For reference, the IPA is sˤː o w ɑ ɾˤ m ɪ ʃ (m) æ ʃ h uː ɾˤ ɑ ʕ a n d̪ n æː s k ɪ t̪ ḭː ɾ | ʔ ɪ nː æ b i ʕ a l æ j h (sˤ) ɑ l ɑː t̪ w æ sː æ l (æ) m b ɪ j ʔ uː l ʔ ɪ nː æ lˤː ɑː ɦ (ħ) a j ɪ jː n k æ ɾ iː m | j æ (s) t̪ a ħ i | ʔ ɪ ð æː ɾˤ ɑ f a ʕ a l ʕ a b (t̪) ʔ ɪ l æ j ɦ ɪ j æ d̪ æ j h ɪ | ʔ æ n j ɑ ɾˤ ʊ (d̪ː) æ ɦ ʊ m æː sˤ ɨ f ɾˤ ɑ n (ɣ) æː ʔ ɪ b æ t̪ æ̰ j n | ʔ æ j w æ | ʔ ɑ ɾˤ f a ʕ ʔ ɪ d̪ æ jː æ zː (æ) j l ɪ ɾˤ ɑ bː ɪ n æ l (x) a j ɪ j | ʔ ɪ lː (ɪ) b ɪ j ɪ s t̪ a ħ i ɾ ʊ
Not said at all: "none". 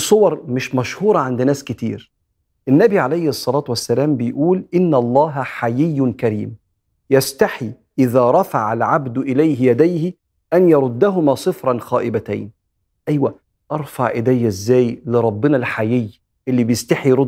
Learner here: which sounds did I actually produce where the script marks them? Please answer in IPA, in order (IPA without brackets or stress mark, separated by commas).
m, sˤː, æː, ħ, s, d̪, d̪ː, x, æː, ħ, i